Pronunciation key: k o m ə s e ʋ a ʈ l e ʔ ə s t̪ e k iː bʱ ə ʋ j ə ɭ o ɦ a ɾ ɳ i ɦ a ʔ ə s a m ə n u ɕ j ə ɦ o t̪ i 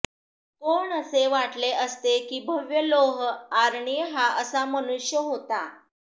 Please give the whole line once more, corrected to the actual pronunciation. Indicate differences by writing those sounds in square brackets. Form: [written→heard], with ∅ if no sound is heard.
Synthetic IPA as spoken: k o [m→ɳ] ə s e ʋ a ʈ l e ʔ ə s t̪ e k iː bʱ ə ʋ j ə [ɭ→l] o ɦ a ɾ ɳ i ɦ a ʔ ə s a m ə n u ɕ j ə ɦ o t̪ [i→a]